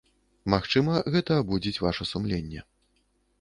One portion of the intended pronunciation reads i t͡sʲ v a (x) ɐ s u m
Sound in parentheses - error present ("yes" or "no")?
yes